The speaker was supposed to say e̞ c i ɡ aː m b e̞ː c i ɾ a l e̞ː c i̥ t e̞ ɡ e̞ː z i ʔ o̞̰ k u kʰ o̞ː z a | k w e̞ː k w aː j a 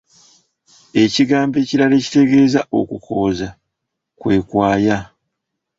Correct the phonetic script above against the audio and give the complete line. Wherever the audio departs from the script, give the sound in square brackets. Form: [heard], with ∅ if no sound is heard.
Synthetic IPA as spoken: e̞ c i ɡ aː m b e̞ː c i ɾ a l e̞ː c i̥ t e̞ ɡ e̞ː z [a] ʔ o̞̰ k u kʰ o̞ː z a | k w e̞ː k w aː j a